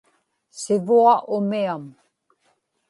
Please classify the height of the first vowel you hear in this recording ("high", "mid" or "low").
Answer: high